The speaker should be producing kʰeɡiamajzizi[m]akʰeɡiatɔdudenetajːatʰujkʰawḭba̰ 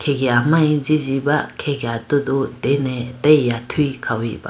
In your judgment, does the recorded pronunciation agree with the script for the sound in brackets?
no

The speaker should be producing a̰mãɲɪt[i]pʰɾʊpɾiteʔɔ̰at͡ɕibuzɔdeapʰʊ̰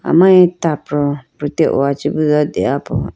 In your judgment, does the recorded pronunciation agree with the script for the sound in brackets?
no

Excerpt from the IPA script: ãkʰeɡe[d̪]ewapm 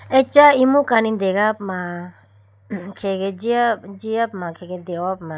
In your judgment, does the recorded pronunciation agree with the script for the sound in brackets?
yes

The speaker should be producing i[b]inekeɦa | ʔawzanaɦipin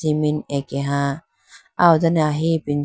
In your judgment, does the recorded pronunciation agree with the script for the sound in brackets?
no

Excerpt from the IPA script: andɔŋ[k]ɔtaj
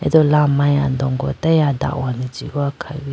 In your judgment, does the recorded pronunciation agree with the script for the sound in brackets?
no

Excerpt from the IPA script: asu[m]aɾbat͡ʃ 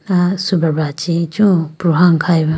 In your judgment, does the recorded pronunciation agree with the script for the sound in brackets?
no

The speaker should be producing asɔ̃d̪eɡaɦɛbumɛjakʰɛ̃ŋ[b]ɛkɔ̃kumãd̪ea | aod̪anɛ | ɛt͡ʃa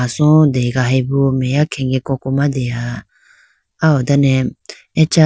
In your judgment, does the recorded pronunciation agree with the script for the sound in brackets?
no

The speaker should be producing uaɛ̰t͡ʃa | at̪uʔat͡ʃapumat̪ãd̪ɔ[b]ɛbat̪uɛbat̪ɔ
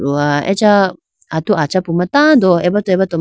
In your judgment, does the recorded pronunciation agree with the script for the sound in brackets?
no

